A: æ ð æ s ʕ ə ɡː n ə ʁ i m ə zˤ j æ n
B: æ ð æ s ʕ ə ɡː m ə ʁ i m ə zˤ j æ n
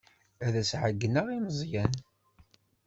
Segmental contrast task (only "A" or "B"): A